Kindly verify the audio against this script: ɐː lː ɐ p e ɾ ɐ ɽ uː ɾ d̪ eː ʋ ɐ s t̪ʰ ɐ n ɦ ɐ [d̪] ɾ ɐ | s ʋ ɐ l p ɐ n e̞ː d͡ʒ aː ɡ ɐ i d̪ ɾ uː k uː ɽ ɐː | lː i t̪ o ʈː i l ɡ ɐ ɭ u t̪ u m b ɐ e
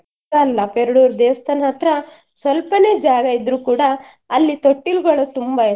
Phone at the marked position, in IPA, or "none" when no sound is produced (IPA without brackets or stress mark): t̪